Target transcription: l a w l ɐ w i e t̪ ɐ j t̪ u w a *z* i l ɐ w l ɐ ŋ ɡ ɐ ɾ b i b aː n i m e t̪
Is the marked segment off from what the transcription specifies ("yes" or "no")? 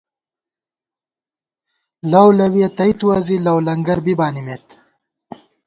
no